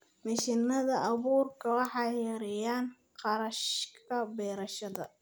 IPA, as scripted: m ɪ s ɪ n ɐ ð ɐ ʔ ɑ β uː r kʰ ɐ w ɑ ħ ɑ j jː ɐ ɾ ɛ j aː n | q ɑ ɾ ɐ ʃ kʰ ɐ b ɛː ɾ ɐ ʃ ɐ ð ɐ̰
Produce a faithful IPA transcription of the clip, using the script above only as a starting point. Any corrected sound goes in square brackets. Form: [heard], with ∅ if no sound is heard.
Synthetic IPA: m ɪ [ʃ] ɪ n ɐ ð ɐ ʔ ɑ β uː r kʰ ɐ w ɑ ħ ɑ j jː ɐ ɾ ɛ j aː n | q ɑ ɾ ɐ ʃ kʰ ɐ b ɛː ɾ ɐ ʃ ɐ ð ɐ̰

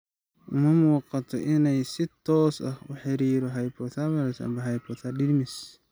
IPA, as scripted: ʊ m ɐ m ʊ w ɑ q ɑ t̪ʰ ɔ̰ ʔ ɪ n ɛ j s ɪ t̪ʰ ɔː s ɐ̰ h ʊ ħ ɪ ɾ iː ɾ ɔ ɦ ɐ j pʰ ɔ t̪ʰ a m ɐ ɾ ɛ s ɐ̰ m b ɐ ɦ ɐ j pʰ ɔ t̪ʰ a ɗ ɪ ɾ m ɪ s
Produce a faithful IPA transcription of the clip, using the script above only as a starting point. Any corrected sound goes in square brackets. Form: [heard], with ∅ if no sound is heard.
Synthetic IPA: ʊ m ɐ m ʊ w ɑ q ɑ t̪ʰ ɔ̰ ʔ ɪ n ɛ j s ɪ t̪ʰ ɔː s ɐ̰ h ʊ ħ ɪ ɾ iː ɾ ɔ ɦ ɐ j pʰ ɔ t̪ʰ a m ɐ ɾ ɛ s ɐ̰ m b ɐ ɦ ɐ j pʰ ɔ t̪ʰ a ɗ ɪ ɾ m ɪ s

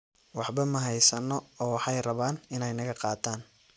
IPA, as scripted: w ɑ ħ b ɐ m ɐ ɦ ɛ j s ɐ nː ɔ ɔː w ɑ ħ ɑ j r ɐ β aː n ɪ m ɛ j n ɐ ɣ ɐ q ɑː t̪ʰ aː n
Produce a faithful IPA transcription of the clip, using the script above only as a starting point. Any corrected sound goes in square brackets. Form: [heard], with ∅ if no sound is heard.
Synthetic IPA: w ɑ ħ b ɐ m ɐ ɦ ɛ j s ɐ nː ɔ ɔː w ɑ ħ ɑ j r ɐ β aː n ɪ [n] ɛ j n ɐ ɣ ɐ q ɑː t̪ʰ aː n

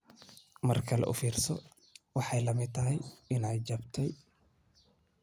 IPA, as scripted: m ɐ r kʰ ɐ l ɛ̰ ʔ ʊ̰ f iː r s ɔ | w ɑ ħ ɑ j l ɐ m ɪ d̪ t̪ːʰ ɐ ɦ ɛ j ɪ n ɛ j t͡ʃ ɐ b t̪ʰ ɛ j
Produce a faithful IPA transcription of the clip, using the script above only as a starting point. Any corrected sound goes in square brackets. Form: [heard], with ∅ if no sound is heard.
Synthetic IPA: m ɐ r kʰ ɐ l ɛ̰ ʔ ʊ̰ f iː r s ɔ | w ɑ ħ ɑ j l ɐ m ɪ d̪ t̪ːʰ ɐ ɦ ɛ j ɪ n ɛ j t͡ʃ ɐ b t̪ʰ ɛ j

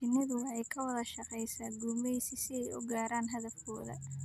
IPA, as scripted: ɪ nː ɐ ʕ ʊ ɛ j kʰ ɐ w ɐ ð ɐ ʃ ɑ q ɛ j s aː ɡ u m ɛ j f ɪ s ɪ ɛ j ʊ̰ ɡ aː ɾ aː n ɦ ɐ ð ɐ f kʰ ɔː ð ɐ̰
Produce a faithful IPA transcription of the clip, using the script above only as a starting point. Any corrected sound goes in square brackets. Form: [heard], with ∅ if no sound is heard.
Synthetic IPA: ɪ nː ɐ [ð] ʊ ɛ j kʰ ɐ w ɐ ð ɐ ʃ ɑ q ɛ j s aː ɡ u m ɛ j [s] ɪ s ɪ ɛ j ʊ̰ ɡ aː ɾ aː n ɦ ɐ ð ɐ f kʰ ɔː ð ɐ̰

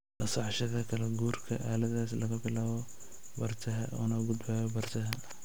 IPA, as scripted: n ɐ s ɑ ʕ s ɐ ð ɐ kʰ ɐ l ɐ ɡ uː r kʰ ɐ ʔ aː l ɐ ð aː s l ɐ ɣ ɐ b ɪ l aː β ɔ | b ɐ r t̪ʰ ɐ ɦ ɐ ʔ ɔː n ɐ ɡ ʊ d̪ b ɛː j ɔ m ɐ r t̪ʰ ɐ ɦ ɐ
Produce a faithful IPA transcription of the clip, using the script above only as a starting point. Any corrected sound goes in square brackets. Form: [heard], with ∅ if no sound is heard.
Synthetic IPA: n ɐ s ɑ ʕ [ʃ] ɐ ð ɐ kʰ ɐ l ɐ ɡ uː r kʰ ɐ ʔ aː l ɐ ð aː s l ɐ ɣ ɐ b ɪ l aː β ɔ | b ɐ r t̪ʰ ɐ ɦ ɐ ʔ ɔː n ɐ ɡ ʊ d̪ b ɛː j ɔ [b] ɐ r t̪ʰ ɐ ɦ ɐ

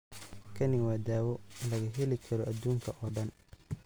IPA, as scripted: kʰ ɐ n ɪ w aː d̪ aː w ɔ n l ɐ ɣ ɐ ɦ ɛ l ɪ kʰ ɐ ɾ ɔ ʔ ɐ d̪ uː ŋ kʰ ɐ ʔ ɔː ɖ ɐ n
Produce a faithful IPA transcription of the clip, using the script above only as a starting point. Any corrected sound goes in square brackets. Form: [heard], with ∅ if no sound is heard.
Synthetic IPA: kʰ ɐ n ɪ w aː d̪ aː w ɔ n l ɐ ɣ ɐ ɦ ɛ l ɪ kʰ ɐ ɾ ɔ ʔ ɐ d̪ uː ŋ kʰ ɐ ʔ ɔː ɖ ɐ n

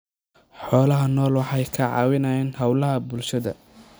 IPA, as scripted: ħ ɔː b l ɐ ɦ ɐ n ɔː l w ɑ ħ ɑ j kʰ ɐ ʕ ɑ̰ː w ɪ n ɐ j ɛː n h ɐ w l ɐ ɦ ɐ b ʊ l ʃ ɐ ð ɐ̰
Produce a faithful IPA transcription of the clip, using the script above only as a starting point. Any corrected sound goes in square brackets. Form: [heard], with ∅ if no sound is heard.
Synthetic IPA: ħ ɔː [∅] l ɐ ɦ ɐ n ɔː l w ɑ ħ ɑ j kʰ ɐ ʕ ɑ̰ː w ɪ n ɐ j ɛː n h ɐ w l ɐ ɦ ɐ b ʊ l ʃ ɐ ð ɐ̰

